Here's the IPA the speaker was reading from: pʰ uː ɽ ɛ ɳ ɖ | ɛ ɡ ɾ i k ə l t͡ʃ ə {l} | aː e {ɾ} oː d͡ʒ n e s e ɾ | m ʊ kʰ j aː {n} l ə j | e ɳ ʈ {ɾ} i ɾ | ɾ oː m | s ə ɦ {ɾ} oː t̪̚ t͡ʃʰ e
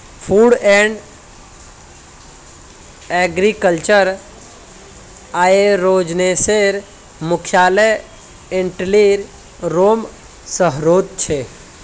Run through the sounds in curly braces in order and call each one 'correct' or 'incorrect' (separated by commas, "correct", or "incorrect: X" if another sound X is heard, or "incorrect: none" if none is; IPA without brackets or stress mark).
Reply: incorrect: ɾ, correct, incorrect: none, incorrect: l, correct